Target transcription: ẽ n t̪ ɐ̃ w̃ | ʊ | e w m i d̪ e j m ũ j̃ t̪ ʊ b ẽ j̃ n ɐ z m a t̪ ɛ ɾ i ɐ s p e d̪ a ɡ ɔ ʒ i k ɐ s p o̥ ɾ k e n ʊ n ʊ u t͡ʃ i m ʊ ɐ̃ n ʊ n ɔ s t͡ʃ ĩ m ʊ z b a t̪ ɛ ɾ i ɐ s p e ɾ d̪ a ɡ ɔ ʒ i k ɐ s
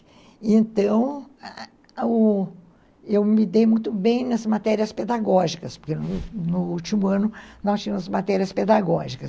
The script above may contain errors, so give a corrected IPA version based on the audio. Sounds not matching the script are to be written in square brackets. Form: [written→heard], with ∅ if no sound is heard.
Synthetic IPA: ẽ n t̪ ɐ̃ w̃ | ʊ | e w m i d̪ e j m ũ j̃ t̪ ʊ b ẽ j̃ n ɐ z m a t̪ ɛ ɾ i ɐ s p e d̪ a ɡ ɔ ʒ i k ɐ s p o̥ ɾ k e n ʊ n ʊ u t͡ʃ i m ʊ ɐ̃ n ʊ n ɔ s t͡ʃ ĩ m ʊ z [b→m] a t̪ ɛ ɾ i ɐ s p e [ɾ→∅] d̪ a ɡ ɔ ʒ i k ɐ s